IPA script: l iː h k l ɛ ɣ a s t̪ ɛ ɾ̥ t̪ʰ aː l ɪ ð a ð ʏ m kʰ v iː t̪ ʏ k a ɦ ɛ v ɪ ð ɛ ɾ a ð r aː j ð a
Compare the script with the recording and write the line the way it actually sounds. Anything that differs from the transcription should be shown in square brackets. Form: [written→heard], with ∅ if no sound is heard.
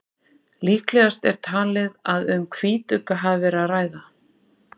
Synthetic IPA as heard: l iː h k l ɛ ɣ a s t̪ ɛ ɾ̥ t̪ʰ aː l ɪ ð a ð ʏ m kʰ v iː t̪ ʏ k a ɦ [ɛ→a] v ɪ [ð→v] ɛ ɾ a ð r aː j ð a